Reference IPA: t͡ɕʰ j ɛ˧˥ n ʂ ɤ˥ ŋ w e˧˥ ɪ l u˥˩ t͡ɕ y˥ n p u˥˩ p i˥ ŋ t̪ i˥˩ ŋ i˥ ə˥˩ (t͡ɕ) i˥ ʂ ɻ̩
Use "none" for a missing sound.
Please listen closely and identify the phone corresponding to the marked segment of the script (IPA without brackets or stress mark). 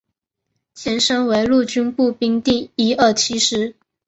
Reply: t͡ɕʰ